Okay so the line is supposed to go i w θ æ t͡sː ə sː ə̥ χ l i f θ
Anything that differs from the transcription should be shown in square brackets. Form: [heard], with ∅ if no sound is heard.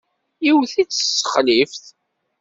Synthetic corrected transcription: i w θ [i] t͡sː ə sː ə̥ χ l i f θ